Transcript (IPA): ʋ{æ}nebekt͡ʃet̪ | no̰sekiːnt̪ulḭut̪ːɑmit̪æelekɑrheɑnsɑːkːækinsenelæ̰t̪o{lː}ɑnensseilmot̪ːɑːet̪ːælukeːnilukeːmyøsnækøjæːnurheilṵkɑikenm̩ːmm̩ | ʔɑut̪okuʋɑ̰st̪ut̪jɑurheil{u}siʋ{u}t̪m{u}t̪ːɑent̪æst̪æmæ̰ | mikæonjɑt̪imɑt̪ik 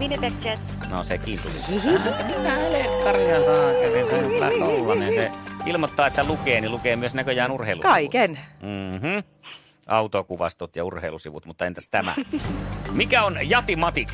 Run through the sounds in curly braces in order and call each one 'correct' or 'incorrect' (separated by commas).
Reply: incorrect, correct, correct, correct, correct